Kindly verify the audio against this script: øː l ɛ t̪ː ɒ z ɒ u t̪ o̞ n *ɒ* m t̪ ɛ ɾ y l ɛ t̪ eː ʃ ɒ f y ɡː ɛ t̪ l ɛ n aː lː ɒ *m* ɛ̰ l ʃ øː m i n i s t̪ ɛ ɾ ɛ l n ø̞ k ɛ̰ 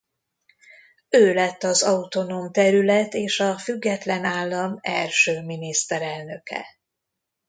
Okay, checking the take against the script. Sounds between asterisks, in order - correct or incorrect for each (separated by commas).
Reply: incorrect, correct